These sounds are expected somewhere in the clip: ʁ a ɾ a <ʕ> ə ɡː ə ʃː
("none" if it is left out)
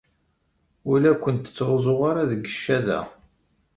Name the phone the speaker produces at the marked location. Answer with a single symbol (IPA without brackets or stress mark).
ð